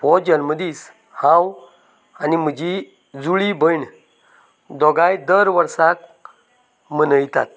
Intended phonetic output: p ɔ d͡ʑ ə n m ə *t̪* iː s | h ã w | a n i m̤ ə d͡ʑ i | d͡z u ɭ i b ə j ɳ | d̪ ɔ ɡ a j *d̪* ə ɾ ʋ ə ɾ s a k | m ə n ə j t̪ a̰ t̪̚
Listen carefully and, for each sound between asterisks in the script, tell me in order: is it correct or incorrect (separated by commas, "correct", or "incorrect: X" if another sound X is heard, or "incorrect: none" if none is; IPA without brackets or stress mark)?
incorrect: d̪, correct